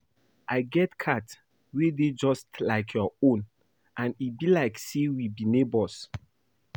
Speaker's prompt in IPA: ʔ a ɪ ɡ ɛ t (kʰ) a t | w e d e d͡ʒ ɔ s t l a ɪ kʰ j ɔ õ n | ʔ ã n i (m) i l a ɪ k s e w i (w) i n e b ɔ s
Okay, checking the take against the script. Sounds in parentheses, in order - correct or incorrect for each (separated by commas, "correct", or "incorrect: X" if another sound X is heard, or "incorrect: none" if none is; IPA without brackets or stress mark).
correct, incorrect: b, incorrect: b